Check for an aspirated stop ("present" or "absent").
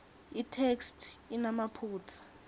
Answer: present